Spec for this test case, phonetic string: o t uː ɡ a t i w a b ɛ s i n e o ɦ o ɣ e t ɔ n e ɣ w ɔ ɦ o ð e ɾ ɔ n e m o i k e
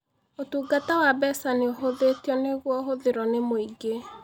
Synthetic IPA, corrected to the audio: o t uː ɡ a t a w a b ɛ s a n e o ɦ o ð e t ɔ n e ɣ w ɔ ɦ o ð e ɾ ɔ n e m o i ɡ e

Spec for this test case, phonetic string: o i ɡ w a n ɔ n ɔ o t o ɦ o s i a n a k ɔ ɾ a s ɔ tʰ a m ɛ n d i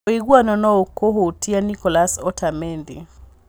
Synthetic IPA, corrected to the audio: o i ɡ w a n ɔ n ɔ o k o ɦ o t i a n i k ɔ l a s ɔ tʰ a m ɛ n d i

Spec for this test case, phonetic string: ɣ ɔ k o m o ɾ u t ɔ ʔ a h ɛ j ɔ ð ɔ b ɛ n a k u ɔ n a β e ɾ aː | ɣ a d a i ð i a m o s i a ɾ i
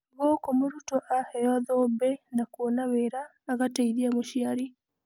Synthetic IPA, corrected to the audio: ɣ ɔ k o m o ɾ u t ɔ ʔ a h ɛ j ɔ ð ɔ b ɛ n a k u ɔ n a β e ɾ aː | ɣ a t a i ð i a m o ʃ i a ɾ i

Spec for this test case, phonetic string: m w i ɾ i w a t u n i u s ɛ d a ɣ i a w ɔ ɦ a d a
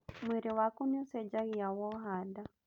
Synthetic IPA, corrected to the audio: m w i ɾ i w a k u n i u s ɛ d͡ʒ a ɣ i a w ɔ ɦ a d a

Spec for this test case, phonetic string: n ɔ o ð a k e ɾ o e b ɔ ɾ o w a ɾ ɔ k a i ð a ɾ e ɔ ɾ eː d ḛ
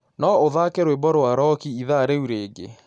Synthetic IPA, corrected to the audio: n ɔ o ð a k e ɾ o e b ɔ ɾ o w a ɾ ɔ k i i ð a ɾ e u ɾ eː ɡ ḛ

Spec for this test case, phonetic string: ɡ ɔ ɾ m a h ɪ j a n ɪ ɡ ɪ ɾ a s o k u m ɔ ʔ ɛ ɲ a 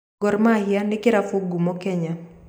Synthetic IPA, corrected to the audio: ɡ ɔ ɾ m a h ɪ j a n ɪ k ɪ ɾ a f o ɡ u m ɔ k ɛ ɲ a

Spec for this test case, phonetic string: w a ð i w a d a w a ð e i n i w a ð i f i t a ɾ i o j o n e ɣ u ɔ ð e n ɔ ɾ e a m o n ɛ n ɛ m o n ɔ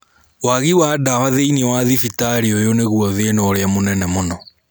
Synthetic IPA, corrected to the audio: w a ɣ i w a d a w a ð e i n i w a ð i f i t a ɾ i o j o n e ɣ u ɔ ð e n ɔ ɾ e a m o n ɛ n ɛ m o n ɔ

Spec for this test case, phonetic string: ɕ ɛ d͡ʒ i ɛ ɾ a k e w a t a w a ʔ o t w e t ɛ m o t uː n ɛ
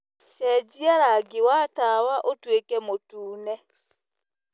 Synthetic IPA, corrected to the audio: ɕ ɛ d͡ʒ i a ɾ a ɡ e w a t a w a ʔ o t w e k ɛ m o t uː n ɛ

